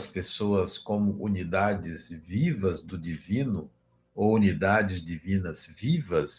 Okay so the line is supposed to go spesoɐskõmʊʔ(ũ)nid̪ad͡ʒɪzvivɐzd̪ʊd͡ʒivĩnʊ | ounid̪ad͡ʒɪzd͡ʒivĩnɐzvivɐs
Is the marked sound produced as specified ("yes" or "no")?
no